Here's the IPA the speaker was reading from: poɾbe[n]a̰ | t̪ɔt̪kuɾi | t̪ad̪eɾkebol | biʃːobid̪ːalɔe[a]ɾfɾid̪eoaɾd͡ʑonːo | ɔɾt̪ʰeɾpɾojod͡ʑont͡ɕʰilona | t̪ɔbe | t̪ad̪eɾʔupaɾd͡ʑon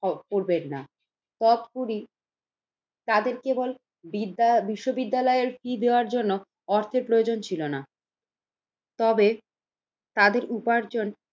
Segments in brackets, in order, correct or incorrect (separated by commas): incorrect, incorrect